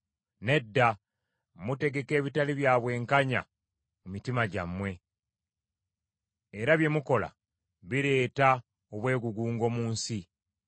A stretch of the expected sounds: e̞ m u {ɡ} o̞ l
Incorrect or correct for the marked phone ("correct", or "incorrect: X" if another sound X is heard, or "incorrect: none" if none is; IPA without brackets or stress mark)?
incorrect: k